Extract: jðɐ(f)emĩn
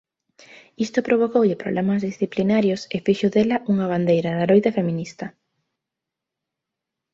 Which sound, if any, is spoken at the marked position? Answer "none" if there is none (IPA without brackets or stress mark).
f